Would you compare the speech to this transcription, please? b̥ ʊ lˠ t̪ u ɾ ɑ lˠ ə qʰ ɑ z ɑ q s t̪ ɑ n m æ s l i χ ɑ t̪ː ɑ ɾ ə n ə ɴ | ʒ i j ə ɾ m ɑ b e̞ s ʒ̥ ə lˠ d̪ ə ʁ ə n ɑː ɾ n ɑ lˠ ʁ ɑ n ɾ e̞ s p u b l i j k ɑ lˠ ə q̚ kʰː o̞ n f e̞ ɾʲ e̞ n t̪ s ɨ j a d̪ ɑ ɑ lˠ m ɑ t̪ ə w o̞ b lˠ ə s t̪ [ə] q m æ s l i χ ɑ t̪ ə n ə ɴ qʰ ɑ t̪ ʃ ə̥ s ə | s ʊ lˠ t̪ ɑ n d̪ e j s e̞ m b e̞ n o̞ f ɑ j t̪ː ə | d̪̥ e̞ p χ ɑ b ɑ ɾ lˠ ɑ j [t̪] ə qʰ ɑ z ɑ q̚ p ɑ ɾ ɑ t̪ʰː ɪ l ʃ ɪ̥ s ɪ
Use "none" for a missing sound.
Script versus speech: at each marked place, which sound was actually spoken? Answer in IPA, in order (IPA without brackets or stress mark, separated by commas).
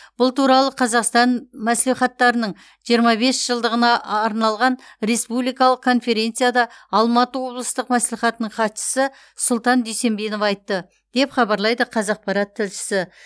ə, d̪